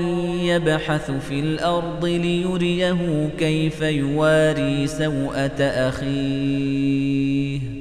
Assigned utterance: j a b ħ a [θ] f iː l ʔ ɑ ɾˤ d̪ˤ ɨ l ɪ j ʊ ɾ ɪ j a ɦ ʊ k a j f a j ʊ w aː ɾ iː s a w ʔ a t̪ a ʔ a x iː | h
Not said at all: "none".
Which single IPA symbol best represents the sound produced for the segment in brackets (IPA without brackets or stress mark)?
θ